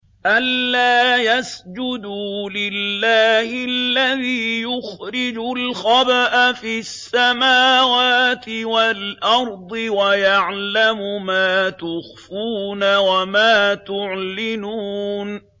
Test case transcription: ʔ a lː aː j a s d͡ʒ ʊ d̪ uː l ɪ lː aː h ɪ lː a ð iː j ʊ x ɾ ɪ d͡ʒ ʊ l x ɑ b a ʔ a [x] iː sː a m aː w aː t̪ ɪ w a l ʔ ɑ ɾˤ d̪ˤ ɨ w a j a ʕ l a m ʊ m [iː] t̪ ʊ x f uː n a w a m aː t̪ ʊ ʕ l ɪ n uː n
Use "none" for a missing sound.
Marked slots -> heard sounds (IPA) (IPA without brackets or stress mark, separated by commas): f, aː